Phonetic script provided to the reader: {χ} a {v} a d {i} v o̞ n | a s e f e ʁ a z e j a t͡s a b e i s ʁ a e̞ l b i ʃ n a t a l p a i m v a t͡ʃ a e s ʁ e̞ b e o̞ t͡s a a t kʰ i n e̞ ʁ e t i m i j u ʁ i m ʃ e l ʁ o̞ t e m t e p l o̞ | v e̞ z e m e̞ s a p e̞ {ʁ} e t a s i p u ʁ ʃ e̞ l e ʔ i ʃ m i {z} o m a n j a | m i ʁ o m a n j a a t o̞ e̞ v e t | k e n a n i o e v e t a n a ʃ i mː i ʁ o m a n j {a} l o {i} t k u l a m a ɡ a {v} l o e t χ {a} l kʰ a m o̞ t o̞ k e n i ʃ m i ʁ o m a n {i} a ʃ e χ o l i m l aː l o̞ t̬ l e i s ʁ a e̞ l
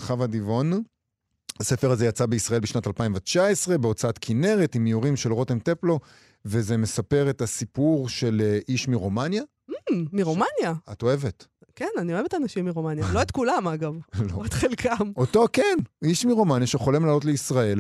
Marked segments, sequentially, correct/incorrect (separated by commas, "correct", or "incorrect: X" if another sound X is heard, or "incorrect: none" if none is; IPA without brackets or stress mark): correct, correct, correct, correct, incorrect: ʁ, correct, incorrect: e, correct, incorrect: e, incorrect: j